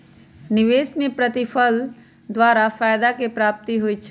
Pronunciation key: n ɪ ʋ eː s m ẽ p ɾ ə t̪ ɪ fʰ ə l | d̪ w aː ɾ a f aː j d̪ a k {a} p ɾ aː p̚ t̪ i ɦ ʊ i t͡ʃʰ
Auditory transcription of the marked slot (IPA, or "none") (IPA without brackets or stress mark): e